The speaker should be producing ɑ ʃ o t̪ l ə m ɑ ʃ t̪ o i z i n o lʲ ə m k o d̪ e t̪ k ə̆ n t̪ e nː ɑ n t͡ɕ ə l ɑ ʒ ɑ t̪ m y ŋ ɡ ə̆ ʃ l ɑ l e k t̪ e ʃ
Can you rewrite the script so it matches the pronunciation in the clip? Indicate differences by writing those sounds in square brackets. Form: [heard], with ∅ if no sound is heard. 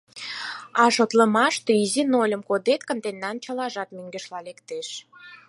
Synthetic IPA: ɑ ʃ o t̪ l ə m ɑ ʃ t̪ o i z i n o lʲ ə m k o d̪ e t̪ k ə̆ n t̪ e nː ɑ n t͡ɕ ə l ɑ ʒ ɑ t̪ m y ŋ ɡ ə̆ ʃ l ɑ l e k t̪ e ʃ